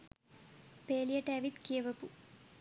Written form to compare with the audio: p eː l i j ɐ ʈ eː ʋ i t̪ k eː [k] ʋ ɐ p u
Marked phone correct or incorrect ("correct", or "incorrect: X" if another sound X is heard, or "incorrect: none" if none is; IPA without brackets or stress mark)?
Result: incorrect: none